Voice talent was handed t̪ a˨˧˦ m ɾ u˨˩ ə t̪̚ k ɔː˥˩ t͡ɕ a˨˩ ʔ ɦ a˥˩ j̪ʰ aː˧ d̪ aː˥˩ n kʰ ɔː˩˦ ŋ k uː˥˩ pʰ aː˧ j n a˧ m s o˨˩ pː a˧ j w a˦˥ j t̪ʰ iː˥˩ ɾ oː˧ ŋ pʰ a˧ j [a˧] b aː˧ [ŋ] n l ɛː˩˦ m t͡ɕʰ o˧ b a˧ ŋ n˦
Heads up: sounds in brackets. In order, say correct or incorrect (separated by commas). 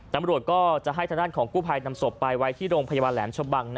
correct, incorrect